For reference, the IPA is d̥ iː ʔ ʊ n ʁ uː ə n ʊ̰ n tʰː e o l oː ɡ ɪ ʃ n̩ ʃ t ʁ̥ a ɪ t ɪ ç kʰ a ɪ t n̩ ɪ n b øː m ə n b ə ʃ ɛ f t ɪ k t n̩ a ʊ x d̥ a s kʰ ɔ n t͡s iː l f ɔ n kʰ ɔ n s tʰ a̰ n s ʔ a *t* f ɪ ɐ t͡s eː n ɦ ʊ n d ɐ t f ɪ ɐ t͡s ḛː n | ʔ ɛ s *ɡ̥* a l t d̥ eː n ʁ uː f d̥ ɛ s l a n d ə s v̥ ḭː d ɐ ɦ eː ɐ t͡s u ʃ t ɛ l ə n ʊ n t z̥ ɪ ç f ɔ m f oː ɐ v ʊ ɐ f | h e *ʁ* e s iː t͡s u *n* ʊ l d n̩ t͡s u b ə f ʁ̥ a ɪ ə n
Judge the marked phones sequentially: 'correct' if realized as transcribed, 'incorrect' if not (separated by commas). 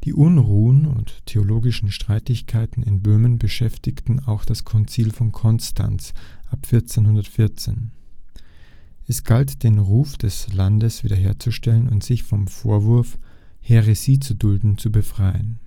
incorrect, correct, correct, incorrect